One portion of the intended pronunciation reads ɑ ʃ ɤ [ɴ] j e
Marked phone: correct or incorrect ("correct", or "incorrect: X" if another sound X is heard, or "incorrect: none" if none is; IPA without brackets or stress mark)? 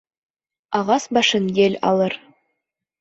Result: incorrect: n